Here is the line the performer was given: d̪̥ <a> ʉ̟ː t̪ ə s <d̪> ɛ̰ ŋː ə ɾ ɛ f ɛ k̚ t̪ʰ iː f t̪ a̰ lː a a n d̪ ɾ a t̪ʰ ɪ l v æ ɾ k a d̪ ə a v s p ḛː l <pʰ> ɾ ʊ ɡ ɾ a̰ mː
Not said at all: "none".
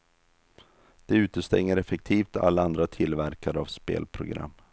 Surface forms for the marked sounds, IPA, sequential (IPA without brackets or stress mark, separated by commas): ɛ, t̪, pʰ